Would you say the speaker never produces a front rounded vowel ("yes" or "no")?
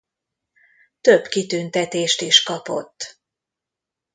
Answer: no